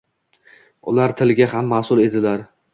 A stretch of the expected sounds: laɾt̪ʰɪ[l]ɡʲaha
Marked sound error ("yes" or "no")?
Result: no